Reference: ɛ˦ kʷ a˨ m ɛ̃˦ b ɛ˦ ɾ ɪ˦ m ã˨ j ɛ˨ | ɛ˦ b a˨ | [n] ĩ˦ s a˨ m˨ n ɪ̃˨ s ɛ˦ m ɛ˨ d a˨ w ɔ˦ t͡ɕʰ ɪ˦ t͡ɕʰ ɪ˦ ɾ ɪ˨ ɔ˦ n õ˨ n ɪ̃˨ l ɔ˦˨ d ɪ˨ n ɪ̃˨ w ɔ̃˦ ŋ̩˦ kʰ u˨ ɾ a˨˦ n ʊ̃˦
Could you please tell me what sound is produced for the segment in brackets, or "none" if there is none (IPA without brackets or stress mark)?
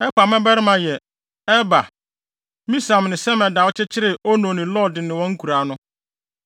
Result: m